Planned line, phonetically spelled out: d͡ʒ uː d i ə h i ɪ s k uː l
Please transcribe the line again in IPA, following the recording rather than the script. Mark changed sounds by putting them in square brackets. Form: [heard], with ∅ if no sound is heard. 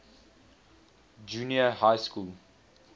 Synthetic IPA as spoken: d͡ʒ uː [n] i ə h [a] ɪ s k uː l